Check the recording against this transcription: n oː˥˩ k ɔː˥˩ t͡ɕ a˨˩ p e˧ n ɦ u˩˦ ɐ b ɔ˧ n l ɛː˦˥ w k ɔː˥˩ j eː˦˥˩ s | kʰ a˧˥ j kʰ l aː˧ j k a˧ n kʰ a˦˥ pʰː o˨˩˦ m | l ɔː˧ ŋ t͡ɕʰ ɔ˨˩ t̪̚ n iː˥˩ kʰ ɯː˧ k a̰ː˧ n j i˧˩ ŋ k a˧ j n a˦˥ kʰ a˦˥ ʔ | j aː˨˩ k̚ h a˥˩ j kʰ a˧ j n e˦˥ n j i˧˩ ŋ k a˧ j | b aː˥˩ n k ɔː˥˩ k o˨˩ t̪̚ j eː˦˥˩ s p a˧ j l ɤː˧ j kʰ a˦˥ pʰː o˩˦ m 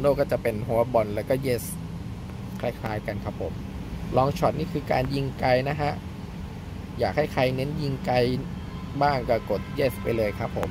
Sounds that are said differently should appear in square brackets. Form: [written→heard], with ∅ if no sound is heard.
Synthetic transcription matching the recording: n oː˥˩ k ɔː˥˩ t͡ɕ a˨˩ p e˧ n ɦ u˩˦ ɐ b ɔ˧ n l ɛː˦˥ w k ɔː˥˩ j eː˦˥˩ s | kʰ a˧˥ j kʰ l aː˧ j k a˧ n kʰ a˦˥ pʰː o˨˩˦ m | l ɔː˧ ŋ t͡ɕʰ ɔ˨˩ t̪̚ n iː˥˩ kʰ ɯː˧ k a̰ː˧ n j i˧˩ ŋ k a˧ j n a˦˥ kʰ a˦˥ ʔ | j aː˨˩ k̚ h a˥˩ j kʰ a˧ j n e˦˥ n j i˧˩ ŋ k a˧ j | b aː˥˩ [n→ŋ] k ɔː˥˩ k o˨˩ t̪̚ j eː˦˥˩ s p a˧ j l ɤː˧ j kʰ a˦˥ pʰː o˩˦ m